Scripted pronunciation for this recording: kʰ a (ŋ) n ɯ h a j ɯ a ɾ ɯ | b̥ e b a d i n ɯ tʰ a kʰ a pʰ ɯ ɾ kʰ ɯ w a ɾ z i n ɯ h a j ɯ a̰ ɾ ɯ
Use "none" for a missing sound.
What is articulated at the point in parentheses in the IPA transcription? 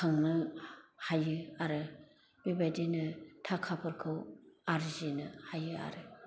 ŋ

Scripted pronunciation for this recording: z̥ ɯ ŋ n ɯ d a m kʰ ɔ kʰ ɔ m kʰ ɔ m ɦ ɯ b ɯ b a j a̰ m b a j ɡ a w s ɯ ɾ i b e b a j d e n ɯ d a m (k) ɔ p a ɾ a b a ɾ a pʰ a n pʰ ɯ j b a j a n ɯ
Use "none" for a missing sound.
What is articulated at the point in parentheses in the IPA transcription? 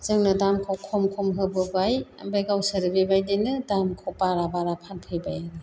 kʰ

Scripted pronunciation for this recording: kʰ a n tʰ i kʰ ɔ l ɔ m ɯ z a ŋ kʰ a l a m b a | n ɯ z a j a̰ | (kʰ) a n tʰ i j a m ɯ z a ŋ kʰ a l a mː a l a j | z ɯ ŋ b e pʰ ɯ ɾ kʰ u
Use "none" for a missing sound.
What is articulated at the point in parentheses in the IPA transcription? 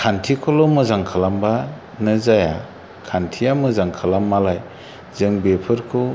kʰ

